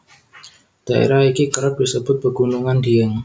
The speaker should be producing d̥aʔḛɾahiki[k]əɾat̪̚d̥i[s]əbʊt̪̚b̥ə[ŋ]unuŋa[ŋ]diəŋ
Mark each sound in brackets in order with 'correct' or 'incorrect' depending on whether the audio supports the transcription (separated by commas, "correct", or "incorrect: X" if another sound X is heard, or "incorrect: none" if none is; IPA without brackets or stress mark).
correct, correct, incorrect: ɡ, incorrect: n